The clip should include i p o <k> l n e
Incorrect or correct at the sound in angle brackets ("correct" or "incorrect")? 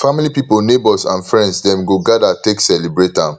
incorrect